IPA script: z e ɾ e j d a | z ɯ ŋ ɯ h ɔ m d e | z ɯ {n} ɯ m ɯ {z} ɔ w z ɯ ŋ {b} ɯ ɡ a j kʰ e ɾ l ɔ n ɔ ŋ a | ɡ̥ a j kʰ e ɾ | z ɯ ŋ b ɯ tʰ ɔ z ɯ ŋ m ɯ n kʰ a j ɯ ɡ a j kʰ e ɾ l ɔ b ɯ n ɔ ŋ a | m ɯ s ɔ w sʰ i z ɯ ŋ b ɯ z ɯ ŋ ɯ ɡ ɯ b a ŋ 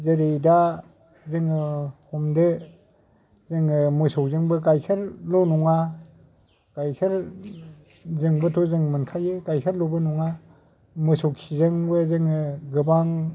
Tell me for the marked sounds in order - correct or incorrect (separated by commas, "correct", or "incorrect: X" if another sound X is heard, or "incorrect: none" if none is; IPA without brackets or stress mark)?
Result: incorrect: ŋ, incorrect: s, correct